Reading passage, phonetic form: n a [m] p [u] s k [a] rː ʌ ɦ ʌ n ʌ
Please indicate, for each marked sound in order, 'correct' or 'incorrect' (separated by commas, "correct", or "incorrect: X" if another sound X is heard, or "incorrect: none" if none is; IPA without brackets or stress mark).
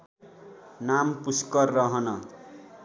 correct, correct, incorrect: ʌ